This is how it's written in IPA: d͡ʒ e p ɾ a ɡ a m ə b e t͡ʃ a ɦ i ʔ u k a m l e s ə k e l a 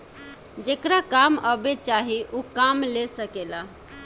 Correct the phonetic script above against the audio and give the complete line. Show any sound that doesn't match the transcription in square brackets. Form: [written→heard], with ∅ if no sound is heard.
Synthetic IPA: d͡ʒ e [p→k] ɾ a [ɡ→k] a m ə b e t͡ʃ a ɦ i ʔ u k a m l e s ə k e l a